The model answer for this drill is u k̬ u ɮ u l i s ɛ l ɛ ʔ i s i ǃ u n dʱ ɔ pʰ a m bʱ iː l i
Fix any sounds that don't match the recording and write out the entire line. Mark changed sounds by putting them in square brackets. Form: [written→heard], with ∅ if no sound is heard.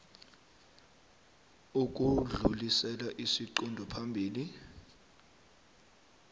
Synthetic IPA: u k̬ u ɮ u l i s ɛ l [ɛ→a] ʔ i s i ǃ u n dʱ ɔ pʰ a m bʱ iː l i